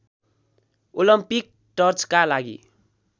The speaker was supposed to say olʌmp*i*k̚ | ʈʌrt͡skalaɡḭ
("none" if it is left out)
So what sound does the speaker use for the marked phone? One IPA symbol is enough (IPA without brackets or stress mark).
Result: i